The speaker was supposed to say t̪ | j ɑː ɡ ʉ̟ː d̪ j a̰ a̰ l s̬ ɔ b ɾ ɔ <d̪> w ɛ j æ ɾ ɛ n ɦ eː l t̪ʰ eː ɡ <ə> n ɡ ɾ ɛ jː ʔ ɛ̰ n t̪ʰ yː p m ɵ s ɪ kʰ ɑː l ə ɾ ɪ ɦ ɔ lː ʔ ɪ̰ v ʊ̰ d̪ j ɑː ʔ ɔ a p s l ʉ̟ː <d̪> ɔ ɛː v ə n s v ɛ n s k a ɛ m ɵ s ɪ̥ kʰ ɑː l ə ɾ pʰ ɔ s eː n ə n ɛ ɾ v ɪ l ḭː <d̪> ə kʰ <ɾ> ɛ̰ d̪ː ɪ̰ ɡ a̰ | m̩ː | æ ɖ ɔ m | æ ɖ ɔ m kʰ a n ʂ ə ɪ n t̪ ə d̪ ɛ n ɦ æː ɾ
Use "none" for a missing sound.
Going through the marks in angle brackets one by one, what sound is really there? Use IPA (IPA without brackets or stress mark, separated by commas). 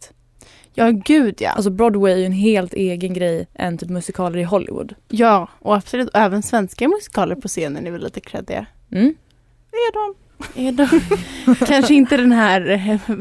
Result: d̪, ə, t̪, t̪, ɾ